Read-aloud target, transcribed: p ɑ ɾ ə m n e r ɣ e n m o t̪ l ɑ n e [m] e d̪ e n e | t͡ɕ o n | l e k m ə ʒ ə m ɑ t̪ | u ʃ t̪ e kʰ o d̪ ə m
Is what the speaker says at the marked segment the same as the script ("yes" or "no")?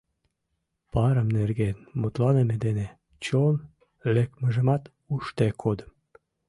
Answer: yes